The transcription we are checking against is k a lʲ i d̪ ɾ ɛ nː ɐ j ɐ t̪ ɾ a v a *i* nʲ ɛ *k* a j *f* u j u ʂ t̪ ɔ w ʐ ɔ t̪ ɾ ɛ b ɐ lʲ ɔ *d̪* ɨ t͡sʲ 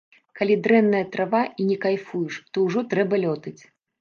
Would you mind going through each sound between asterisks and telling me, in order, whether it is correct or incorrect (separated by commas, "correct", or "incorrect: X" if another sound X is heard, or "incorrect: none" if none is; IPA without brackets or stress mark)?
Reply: correct, correct, correct, incorrect: t̪